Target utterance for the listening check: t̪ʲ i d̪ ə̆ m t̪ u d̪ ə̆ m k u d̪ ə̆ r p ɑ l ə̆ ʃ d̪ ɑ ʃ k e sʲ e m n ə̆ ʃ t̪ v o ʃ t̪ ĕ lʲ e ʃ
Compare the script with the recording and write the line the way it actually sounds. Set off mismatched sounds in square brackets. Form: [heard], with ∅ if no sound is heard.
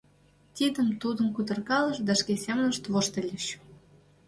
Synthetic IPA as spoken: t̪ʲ i d̪ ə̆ m t̪ u d̪ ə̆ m k u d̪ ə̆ r [k] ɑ l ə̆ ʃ d̪ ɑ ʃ k e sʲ e m n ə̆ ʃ t̪ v o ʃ t̪ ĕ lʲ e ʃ